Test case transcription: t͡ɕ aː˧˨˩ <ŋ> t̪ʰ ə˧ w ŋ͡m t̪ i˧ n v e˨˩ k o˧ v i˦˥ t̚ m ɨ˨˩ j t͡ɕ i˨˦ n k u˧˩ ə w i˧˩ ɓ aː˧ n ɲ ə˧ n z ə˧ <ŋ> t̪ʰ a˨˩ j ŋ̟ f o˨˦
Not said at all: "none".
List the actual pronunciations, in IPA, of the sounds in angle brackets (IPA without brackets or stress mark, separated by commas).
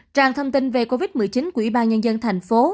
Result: ŋ, n